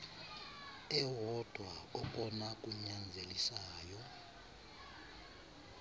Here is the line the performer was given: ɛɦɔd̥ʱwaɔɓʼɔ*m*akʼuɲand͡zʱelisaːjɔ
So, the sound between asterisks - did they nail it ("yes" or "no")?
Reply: no